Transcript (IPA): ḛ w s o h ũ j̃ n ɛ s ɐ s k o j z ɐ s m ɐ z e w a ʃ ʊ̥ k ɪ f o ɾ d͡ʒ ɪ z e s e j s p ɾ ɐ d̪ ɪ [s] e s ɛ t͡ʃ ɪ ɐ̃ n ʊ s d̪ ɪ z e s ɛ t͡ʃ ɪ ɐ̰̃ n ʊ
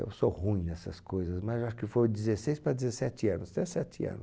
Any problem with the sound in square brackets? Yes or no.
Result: yes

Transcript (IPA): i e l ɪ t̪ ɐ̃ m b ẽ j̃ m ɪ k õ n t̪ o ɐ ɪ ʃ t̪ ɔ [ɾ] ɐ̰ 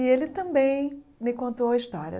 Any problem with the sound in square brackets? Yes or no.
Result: no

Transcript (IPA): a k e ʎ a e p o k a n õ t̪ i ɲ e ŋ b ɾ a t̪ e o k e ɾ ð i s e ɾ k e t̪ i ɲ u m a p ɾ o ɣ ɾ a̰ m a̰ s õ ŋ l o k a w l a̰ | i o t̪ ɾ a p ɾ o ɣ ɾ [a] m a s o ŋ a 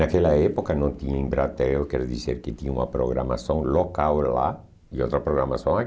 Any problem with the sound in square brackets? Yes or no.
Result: no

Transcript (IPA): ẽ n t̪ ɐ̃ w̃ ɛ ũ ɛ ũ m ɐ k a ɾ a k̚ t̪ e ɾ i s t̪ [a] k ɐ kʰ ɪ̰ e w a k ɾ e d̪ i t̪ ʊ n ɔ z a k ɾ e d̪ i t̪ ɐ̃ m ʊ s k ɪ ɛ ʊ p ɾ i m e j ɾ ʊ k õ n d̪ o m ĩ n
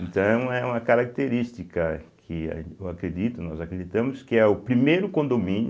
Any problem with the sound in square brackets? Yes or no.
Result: yes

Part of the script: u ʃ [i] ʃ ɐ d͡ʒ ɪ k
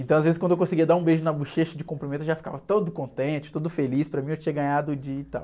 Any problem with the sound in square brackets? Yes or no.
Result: yes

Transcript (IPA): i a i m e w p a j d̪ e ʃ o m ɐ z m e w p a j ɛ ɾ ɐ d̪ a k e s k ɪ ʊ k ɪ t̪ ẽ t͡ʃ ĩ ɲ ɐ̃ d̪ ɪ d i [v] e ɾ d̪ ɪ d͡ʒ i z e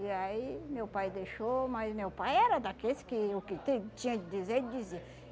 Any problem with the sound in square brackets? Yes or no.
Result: yes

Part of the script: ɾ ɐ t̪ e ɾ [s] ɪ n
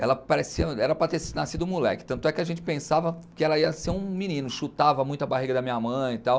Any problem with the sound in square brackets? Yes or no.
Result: no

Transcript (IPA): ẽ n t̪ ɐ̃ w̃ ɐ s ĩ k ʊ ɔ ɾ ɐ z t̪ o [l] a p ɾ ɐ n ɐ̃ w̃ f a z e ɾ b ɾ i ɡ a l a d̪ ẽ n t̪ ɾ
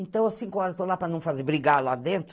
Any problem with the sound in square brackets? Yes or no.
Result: no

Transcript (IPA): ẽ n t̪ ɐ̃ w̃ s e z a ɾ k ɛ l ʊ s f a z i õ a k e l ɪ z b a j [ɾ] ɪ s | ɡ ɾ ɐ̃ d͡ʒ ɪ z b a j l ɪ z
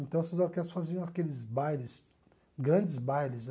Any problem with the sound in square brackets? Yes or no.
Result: yes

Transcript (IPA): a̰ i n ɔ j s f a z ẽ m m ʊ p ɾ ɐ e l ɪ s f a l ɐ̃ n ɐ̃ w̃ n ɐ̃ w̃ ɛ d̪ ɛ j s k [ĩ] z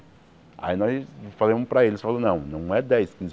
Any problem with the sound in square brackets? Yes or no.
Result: no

